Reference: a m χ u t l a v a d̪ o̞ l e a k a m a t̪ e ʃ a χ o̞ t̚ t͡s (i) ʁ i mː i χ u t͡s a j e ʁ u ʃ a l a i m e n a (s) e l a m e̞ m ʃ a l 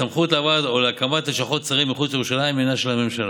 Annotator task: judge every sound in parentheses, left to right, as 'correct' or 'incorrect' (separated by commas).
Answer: incorrect, incorrect